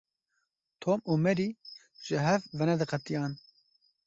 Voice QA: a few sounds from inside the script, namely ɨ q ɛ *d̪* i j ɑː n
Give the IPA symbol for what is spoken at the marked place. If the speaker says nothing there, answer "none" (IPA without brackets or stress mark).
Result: t̪